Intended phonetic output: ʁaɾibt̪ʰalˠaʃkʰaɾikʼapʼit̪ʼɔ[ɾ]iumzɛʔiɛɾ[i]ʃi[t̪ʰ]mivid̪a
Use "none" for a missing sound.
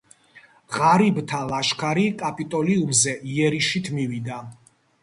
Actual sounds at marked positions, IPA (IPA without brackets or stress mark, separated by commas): l, i, t̪ʰ